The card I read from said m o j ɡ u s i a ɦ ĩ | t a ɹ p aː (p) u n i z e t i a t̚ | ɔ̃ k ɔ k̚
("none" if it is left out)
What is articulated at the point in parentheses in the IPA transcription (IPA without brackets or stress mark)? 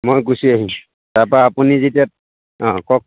p